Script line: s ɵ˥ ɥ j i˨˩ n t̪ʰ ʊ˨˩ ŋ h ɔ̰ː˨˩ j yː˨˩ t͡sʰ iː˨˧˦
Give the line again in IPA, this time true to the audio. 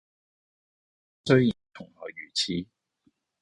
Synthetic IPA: s ɵ˥ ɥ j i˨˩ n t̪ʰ ʊ˨˩ ŋ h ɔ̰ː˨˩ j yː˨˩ t͡sʰ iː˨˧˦